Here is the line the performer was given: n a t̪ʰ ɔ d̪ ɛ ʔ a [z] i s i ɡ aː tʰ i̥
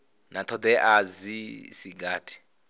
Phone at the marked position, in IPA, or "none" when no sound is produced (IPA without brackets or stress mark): z